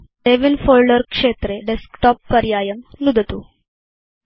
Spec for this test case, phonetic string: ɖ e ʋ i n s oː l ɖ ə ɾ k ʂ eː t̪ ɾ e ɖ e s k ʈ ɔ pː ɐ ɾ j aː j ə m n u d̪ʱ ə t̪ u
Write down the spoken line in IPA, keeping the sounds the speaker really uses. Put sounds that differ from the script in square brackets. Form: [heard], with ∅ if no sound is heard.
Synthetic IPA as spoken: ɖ e ʋ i n [f] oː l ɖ ə ɾ k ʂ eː t̪ ɾ e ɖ e s k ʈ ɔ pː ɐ ɾ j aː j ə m n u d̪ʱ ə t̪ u